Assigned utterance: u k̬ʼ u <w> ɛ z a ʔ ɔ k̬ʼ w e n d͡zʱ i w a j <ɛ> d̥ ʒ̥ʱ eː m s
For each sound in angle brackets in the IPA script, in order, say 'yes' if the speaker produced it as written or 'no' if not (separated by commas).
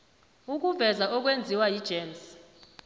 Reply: no, no